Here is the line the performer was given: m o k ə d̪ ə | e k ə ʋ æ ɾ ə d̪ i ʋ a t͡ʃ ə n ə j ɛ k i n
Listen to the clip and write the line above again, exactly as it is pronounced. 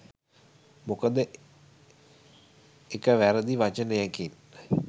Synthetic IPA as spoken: m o k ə d̪ ə | e k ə ʋ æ ɾ ə d̪ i ʋ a t͡ʃ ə n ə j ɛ k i n